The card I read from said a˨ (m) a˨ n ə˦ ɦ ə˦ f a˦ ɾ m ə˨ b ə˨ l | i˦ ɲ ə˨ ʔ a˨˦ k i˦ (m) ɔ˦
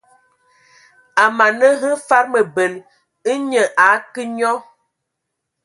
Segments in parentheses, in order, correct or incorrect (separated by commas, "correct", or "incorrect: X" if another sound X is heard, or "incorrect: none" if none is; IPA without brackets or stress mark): correct, incorrect: ɲ